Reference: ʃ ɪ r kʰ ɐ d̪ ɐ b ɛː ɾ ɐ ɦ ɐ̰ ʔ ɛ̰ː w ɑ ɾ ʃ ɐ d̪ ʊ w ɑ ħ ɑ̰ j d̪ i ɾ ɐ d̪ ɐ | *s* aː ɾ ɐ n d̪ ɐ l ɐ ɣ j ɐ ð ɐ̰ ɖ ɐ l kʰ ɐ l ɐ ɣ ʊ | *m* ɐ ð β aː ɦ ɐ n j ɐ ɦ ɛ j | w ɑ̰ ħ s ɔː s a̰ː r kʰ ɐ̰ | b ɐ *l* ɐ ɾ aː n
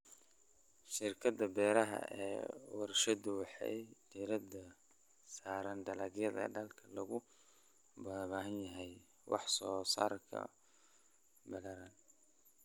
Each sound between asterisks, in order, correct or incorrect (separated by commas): correct, incorrect, correct